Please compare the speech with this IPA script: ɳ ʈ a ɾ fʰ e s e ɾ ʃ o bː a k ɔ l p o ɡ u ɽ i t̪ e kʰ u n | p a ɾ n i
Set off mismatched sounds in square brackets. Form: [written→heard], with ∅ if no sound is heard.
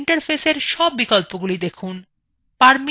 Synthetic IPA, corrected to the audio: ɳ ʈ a ɾ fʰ e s e ɾ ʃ [o→ɔ] bː [a→i] k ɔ l p o ɡ u [ɽ→l] i [t̪→d̪] e kʰ u n | p a ɾ [n→m] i